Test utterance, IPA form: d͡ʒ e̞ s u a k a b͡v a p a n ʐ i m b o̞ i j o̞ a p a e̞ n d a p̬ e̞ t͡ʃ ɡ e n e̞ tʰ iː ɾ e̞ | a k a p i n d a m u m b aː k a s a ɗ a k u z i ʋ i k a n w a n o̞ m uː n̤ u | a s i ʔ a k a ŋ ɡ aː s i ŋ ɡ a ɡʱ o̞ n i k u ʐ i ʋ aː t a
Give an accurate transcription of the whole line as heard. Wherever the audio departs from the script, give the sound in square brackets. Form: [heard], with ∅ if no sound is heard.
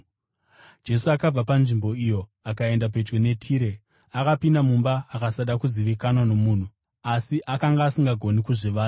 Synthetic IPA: d͡ʒ e̞ s u a k a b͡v a p a n ʐ i m b o̞ i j o̞ a [k] a e̞ n d a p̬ e̞ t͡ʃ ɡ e n e̞ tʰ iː ɾ e̞ | a k a p i n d a m u m b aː k a s a ɗ a k u z i ʋ i k a n w a n o̞ m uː n̤ u | a s i ʔ a k a ŋ ɡ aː s i ŋ ɡ a ɡʱ o̞ n i k u ʐ i ʋ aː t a